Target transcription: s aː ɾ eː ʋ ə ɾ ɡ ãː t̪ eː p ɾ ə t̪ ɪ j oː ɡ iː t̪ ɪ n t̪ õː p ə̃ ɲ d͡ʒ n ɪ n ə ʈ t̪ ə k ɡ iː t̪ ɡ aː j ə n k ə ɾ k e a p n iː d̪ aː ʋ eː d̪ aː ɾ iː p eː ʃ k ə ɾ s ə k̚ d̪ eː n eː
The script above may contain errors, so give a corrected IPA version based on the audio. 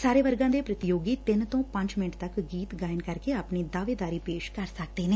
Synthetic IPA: s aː ɾ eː ʋ ə ɾ ɡ ãː d̪ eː p ɾ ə t̪ ɪ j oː ɡ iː t̪ ɪ n t̪ õː p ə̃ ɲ d͡ʒ m ɪ n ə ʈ t̪ ə k ɡ iː t̪ ɡ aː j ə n k ə ɾ k e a p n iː d̪ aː ʋ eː d̪ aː ɾ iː p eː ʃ k ə ɾ s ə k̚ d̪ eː n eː